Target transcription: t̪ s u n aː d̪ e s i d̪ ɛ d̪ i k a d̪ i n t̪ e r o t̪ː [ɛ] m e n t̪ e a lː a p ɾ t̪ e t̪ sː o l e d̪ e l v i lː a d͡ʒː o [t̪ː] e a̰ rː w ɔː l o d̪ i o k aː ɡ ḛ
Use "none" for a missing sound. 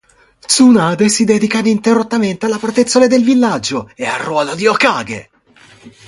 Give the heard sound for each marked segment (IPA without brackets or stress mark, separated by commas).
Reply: a, none